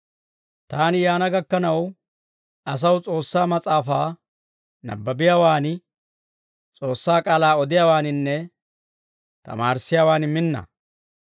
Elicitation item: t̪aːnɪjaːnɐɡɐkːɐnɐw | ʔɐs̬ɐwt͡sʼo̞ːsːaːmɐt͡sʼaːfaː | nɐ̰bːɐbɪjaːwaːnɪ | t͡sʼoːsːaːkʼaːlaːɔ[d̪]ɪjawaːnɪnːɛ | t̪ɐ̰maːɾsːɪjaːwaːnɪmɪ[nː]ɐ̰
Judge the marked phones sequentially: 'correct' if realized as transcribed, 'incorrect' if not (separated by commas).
correct, correct